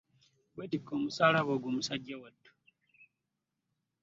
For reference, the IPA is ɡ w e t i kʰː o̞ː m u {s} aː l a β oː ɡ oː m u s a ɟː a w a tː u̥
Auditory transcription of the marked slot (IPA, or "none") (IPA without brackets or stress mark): s